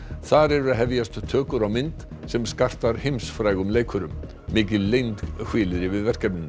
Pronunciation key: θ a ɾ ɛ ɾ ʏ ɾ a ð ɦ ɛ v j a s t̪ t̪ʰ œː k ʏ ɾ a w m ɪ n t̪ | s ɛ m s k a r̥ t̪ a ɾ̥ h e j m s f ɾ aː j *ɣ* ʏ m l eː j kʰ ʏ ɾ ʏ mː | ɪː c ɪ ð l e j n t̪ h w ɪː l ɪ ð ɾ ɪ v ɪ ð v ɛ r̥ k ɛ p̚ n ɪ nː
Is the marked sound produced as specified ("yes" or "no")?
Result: yes